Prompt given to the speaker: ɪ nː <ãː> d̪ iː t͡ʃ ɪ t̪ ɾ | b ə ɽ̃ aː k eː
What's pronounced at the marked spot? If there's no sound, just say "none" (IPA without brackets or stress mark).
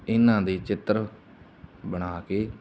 ãː